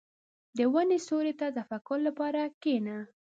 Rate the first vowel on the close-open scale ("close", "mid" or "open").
mid